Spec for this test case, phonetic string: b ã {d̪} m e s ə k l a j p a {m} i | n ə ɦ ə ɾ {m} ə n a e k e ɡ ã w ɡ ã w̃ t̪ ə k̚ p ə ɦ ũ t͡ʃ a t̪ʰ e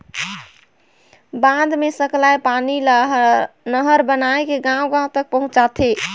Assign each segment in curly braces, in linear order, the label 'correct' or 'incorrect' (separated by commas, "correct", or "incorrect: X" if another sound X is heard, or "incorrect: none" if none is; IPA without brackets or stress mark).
correct, incorrect: n, incorrect: b